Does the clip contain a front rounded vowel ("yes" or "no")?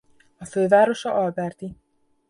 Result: yes